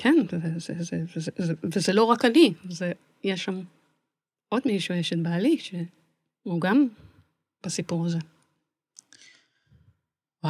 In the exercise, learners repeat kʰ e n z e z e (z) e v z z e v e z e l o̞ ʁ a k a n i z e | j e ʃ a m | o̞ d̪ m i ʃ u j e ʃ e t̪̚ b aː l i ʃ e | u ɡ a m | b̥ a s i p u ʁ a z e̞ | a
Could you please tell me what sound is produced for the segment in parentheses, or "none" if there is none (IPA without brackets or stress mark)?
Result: z